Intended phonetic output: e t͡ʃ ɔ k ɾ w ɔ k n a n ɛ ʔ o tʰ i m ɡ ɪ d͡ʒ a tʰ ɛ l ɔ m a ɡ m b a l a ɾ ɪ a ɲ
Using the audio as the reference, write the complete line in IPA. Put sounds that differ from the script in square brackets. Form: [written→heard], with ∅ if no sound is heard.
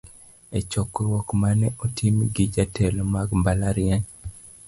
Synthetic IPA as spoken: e t͡ʃ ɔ k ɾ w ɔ k [n→m] a n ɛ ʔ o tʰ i m ɡ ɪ d͡ʒ a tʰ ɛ l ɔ m a ɡ m b a l a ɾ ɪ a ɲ